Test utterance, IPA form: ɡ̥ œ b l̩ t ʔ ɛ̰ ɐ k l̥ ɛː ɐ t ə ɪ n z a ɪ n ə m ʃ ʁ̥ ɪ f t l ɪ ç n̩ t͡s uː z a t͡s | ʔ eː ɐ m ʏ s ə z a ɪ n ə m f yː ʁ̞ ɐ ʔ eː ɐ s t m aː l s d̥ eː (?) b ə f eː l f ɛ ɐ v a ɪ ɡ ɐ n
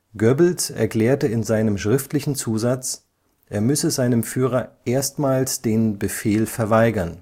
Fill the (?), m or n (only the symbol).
n